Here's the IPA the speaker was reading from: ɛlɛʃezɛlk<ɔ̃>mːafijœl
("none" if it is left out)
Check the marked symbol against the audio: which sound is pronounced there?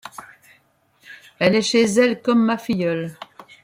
ɔ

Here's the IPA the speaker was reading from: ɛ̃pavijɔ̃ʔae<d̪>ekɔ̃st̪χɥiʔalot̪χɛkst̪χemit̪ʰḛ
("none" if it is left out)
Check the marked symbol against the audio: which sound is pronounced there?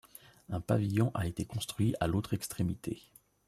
t̪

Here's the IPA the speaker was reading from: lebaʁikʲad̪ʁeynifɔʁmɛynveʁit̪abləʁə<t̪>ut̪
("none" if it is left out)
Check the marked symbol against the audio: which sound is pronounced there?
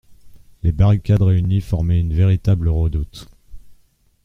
d̪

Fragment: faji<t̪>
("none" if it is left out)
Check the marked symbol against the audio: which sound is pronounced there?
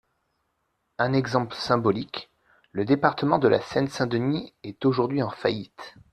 t̪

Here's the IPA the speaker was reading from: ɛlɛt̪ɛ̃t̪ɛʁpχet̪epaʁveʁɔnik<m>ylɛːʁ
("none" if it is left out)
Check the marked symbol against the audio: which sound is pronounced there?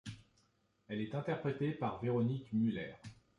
m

